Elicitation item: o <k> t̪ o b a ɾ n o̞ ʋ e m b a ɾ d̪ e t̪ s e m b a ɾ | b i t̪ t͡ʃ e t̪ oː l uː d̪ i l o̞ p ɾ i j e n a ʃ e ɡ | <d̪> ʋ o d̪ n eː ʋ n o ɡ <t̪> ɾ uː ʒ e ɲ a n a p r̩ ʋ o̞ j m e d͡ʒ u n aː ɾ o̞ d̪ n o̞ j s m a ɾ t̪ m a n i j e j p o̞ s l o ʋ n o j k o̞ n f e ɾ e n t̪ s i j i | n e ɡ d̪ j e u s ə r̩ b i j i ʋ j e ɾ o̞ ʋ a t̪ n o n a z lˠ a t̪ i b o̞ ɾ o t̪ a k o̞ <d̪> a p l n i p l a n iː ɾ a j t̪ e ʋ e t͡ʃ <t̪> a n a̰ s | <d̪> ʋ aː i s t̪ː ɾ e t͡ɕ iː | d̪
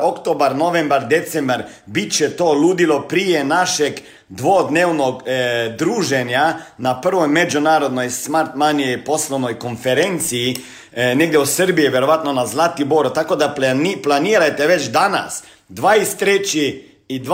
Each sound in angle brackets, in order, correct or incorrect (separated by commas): correct, correct, incorrect, correct, incorrect, correct